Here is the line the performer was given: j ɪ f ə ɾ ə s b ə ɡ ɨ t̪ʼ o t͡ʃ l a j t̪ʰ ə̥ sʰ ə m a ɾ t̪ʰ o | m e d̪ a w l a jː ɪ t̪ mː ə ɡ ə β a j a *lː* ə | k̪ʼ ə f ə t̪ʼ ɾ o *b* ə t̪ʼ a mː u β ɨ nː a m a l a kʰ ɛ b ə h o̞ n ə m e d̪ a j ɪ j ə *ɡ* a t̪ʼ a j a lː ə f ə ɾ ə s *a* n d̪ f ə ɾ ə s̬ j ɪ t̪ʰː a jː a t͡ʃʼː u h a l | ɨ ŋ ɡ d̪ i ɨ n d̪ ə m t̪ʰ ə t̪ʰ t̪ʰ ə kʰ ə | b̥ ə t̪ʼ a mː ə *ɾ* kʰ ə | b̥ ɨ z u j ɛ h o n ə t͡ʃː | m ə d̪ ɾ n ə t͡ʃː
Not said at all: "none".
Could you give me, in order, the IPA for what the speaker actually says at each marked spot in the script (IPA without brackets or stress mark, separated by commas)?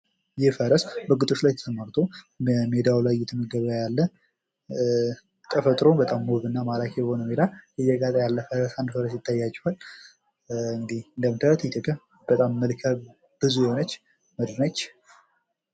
lː, b, ɡ, a, l